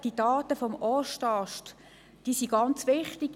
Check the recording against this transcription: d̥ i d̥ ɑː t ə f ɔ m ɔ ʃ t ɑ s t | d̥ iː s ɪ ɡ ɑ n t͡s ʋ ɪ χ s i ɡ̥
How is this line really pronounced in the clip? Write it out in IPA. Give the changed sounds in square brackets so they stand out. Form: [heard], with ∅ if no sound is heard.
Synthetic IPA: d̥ i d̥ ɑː t ə f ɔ m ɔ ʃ t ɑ [ʃ] t | d̥ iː s [i] ɡ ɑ n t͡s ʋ ɪ χ [t] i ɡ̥